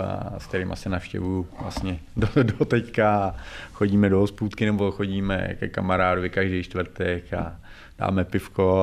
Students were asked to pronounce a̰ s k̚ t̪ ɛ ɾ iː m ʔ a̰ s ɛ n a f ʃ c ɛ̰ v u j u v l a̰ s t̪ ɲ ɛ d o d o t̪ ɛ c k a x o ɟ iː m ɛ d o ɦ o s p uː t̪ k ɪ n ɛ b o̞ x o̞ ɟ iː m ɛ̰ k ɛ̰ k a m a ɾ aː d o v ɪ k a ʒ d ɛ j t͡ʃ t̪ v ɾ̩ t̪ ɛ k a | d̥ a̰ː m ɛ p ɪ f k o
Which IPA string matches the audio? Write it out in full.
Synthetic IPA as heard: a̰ s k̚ t̪ ɛ ɾ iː m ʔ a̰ s ɛ n a f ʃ c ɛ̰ v u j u v l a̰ s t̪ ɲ ɛ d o d o t̪ ɛ c k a x o ɟ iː m ɛ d o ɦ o s p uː t̪ k ɪ n ɛ b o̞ x o̞ ɟ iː m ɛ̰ k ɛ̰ k a m a ɾ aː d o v ɪ k a ʒ d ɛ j t͡ʃ t̪ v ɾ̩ t̪ ɛ k a | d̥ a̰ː m ɛ p ɪ f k o